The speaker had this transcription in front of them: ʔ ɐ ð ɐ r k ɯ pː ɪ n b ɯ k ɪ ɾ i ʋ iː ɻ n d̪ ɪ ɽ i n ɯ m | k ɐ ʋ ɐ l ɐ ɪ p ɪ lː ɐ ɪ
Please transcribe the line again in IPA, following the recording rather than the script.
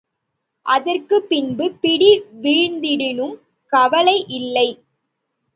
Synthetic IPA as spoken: ʔ ɐ ð ɐ r k ɯ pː ɪ n b ɯ p ɪ ɽ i ʋ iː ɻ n d̪ ɪ ɽ ɪ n ɯ m | k ɐ ʋ ɐ l ɐ ɪ ʔ ɪ lː ɐ ɪ

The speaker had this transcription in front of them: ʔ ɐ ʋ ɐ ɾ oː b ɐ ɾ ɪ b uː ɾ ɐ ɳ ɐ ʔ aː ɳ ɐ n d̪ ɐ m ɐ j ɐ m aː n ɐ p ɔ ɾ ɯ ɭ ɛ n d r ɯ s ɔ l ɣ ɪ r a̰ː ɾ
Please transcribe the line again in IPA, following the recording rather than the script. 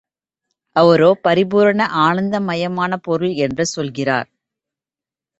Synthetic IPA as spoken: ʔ ɐ ʋ ɐ ɾ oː p ɐ ɾ ɪ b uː ɾ ɐ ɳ ɐ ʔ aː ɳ ɐ n d̪ ɐ m ɐ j ɐ m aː n ɐ p ɔ ɾ ɯ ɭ ɛ n d r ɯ s ɔ l ɣ ɪ r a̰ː ɾ

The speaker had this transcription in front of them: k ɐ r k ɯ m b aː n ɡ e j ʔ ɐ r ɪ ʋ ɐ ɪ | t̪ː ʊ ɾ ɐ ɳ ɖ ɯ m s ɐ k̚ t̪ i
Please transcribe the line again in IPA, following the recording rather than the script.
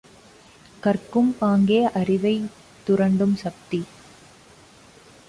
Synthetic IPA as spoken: k ɐ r k ɯ m p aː ŋ ɡ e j ʔ ɐ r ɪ ʋ ɐ ɪ | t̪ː ʊ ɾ ɐ ɳ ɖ ɯ m s ɐ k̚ t̪ i

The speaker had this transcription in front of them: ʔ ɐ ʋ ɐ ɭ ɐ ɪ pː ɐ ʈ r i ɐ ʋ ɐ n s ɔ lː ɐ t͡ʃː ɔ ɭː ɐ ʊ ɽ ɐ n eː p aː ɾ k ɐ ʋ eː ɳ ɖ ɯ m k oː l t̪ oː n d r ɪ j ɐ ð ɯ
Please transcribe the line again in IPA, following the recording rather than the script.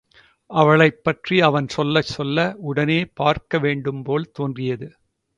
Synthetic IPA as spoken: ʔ ɐ ʋ ɐ ɭ ɐ ɪ pː ɐ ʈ r i ɐ ʋ ɐ n s ɔ lː ɐ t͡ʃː ɔ lː ɐ ʊ ɽ ɐ n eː p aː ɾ k ɐ ʋ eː ɳ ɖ ɯ m p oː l t̪ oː n d r ɪ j ɐ ð ɯ

